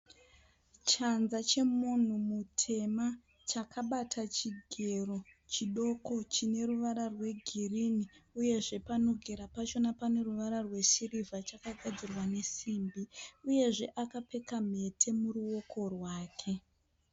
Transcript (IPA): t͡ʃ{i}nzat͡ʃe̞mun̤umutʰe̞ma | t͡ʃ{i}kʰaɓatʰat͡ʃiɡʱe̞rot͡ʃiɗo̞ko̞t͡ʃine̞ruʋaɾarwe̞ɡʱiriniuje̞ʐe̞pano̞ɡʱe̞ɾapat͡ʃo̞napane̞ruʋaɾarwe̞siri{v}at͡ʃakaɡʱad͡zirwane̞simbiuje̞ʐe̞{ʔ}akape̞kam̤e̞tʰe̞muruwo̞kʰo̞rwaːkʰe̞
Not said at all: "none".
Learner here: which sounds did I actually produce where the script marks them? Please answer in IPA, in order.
a, a, v, ʔ

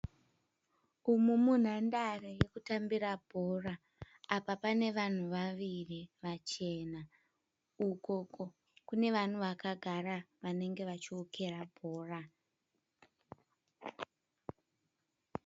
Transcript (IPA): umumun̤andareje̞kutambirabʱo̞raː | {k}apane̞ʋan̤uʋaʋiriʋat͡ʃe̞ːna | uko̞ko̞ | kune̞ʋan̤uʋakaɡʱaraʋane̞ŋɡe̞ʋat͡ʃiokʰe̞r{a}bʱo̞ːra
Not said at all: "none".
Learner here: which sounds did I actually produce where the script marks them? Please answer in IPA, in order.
p, a

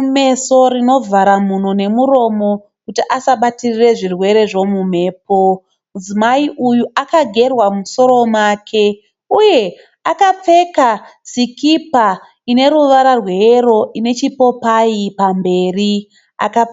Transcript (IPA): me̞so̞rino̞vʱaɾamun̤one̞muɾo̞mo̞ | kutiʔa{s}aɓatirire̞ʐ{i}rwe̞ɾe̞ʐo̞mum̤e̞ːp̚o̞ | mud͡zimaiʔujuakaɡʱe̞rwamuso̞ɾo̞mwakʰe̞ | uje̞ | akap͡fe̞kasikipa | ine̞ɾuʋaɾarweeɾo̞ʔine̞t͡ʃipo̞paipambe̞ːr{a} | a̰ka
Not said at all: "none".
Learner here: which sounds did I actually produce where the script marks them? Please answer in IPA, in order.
s, i, i

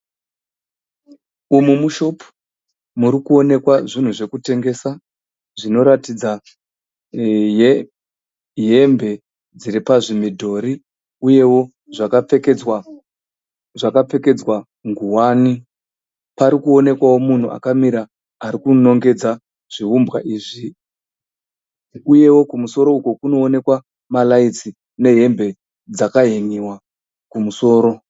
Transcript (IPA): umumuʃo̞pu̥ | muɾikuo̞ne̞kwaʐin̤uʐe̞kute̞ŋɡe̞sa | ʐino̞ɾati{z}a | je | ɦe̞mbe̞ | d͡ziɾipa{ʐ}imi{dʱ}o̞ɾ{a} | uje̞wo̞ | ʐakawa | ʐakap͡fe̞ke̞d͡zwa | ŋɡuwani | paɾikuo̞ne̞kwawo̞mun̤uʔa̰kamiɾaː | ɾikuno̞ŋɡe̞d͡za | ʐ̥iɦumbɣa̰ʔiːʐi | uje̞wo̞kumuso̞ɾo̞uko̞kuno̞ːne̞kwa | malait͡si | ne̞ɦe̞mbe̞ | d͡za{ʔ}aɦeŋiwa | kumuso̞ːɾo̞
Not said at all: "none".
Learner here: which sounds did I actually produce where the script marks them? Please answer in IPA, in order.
d͡z, ʐ, dʱ, i, k

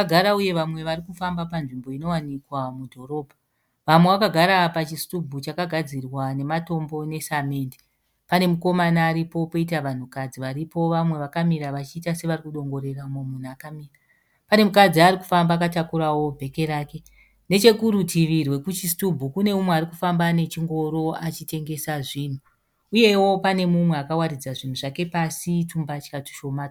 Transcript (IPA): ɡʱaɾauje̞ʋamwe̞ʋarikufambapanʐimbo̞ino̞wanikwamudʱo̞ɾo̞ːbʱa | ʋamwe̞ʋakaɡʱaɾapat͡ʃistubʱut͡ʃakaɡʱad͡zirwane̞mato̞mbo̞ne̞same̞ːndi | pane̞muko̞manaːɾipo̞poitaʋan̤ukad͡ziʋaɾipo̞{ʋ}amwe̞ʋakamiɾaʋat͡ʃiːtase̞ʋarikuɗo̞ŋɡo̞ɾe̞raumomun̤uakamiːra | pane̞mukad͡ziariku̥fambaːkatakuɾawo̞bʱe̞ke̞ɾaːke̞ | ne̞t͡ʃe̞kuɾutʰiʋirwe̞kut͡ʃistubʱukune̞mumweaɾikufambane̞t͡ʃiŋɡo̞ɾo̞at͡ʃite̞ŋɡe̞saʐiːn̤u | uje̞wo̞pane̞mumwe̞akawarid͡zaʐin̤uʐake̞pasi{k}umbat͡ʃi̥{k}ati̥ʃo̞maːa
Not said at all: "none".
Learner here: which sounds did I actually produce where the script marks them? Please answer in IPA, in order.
ʋ, t, k

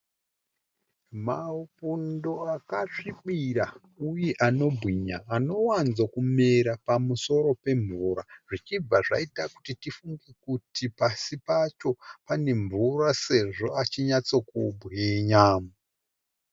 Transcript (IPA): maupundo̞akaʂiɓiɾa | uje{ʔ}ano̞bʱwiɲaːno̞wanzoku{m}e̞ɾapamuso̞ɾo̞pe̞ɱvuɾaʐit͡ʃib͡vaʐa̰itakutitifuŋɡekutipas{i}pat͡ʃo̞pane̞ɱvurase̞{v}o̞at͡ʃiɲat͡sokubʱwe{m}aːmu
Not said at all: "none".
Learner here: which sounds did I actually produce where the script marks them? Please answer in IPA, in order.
ʔ, m, i, ʐ, ɲ

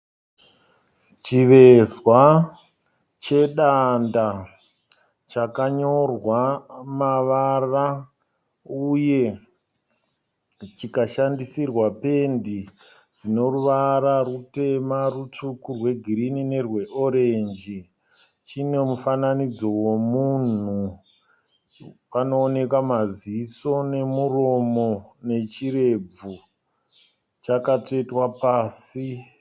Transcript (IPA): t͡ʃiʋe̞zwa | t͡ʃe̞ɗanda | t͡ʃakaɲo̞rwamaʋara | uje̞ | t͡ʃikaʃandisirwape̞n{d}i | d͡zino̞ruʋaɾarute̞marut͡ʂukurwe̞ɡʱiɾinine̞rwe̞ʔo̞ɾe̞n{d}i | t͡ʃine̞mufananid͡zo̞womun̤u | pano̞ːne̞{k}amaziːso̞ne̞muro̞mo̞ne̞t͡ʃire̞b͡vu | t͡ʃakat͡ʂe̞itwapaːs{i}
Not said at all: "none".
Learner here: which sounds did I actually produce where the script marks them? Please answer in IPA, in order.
d, d͡ʒ, k, i

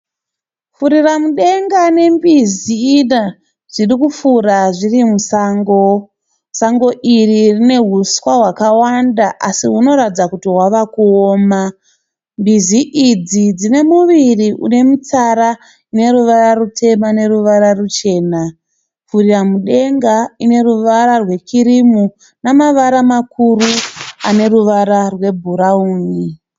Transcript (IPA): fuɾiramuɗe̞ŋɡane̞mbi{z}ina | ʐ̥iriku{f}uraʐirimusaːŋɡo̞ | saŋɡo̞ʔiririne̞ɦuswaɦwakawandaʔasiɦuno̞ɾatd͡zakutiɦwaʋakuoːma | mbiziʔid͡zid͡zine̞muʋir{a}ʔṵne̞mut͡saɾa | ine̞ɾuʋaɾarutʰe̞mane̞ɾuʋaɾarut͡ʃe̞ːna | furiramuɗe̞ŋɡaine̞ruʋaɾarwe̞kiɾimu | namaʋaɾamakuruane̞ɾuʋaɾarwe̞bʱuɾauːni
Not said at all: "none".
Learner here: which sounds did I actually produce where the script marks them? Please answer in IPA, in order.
z, f, i

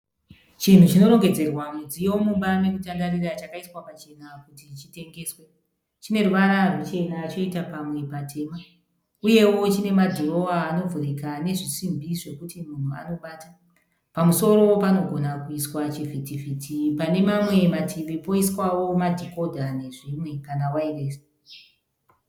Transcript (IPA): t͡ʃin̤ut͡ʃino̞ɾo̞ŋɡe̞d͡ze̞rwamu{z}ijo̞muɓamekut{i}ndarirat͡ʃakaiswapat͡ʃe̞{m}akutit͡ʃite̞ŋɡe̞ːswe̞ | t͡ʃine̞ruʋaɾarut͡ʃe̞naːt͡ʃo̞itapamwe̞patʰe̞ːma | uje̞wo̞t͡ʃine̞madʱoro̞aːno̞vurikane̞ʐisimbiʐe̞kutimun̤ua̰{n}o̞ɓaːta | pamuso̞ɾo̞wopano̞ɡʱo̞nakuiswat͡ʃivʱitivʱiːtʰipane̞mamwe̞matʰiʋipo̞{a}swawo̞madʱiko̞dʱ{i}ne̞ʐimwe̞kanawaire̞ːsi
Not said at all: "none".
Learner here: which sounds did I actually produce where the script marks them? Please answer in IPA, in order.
d͡z, a, n, n, i, a

